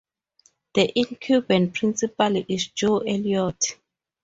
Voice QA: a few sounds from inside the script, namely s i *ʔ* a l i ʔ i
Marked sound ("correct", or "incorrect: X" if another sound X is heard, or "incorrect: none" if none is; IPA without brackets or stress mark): incorrect: p